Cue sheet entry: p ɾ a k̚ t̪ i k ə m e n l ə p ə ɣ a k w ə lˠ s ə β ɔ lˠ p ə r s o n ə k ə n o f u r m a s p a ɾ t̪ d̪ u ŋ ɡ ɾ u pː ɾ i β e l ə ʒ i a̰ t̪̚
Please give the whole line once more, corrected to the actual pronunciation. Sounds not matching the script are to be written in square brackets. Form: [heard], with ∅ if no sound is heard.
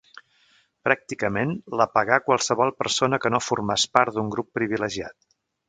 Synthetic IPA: p ɾ a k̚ t̪ i k ə m e n l ə p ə ɣ a k w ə lˠ s ə β ɔ lˠ p ə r s o n ə k ə n o f u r m a s p a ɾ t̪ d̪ u ŋ ɡ ɾ u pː ɾ i β [i] l ə ʒ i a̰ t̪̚